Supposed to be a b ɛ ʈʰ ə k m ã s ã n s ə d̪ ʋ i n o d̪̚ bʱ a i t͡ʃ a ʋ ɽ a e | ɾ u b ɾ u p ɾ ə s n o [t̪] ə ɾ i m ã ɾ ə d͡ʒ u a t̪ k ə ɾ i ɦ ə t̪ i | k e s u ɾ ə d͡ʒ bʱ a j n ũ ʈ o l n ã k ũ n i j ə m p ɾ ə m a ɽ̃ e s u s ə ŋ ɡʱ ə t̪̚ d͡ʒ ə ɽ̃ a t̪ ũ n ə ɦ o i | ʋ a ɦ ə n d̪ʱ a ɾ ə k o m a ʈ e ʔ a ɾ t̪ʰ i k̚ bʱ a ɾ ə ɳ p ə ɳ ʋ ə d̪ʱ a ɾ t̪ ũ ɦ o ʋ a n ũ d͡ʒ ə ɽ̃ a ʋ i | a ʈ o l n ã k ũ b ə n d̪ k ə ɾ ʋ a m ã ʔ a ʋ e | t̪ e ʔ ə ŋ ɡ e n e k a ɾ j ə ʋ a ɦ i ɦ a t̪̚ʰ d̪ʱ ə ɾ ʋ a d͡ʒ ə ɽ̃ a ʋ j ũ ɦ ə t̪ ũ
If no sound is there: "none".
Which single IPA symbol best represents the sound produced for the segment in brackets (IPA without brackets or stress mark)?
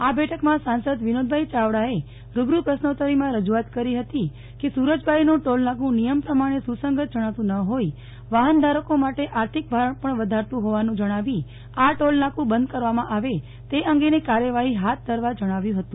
t̪